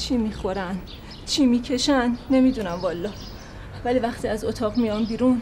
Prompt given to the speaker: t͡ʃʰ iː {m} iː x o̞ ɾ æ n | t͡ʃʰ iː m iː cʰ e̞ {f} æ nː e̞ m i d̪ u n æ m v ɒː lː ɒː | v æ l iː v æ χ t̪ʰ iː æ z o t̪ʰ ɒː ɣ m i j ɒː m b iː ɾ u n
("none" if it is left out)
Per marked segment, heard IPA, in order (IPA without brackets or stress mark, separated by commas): m, ʃ